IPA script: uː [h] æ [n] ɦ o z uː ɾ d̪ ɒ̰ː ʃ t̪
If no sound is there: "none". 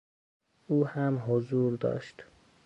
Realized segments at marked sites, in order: h, m

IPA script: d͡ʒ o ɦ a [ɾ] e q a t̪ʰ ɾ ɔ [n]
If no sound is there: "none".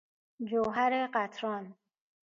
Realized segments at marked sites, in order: ɾ, n

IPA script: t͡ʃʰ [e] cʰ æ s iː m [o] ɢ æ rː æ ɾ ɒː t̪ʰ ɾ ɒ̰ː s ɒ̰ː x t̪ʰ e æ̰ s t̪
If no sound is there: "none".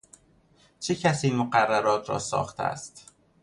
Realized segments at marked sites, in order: e, o

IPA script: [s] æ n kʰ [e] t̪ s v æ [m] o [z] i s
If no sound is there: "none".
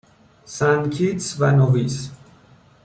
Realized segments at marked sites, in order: s, i, n, v

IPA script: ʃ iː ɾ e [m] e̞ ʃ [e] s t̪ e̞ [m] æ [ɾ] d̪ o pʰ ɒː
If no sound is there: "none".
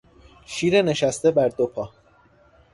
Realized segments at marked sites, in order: n, æ, b, ɾ

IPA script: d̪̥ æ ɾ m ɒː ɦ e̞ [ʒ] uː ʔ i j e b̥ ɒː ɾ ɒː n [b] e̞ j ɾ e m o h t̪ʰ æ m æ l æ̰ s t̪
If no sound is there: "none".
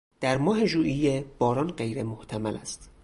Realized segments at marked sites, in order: ʒ, ɢ

